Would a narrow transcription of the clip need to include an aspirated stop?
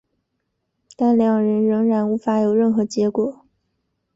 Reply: no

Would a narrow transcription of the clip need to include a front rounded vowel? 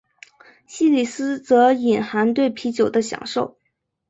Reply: no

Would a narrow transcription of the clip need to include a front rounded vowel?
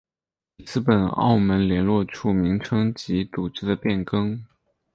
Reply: no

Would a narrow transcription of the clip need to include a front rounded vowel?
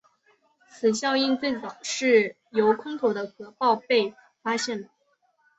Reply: no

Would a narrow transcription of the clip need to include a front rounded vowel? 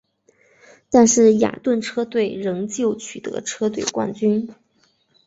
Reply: yes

